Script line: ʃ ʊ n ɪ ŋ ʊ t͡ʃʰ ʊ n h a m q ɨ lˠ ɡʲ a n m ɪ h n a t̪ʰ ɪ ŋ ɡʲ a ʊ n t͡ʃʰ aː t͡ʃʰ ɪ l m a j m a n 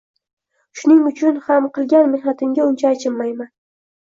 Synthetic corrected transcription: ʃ ʊ n ɪ ŋ ʊ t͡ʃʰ ʊ n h a m q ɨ lˠ ɡʲ a n m ɪ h n a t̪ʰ ɪ ŋ ɡʲ a ʊ n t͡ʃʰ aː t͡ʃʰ ɪ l m a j m a n